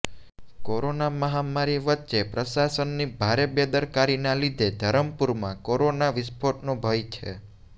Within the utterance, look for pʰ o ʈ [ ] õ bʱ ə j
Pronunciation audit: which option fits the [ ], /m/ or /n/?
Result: n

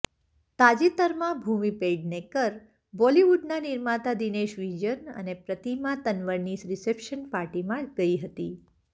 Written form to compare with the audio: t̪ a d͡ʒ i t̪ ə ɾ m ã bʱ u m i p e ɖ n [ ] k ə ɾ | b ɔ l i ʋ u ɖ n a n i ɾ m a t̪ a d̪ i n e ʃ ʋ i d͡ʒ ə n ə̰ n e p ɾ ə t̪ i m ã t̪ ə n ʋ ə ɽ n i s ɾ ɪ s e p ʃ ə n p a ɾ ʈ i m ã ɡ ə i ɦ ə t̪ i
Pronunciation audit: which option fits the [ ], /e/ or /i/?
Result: e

